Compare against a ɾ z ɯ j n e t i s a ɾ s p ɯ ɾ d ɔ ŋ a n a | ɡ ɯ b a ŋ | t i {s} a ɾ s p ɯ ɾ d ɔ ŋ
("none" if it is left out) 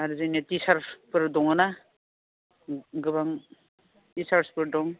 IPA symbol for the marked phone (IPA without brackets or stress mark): s